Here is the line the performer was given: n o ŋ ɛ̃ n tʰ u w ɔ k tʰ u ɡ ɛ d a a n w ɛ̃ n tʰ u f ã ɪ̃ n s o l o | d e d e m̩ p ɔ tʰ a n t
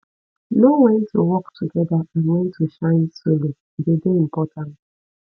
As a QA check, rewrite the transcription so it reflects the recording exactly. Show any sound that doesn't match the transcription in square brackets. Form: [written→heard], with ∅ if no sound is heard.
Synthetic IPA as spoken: n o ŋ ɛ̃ n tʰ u w ɔ k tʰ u ɡ ɛ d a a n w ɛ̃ n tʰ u [f→ʃ] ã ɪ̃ n s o l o | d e d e m̩ p ɔ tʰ a n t